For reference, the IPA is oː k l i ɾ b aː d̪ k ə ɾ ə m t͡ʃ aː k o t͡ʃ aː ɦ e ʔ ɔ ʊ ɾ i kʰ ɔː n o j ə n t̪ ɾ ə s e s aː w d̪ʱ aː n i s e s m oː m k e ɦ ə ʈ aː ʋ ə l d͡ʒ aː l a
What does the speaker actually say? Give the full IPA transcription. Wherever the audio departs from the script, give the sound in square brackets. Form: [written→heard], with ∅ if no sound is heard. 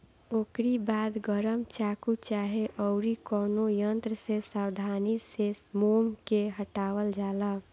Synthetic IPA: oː k [l→ɾ] i [ɾ→∅] b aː d̪ [k→ɡ] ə ɾ ə m t͡ʃ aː k [o→u] t͡ʃ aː ɦ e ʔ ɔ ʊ ɾ i [kʰ→k] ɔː n o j ə n t̪ ɾ ə s e s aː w d̪ʱ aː n i s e s m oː m k e ɦ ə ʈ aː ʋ ə l d͡ʒ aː l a